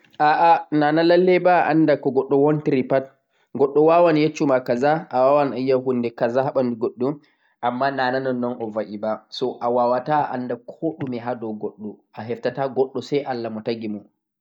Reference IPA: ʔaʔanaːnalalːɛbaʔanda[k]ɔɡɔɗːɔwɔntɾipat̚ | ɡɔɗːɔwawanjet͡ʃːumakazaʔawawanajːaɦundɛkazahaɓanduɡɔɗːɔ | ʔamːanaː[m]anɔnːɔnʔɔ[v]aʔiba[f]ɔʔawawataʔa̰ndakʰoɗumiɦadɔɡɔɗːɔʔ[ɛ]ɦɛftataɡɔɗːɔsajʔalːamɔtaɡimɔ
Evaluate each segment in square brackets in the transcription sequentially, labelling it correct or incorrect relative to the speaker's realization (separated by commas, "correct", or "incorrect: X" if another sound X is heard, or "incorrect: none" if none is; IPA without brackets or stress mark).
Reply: correct, incorrect: n, correct, incorrect: s, incorrect: a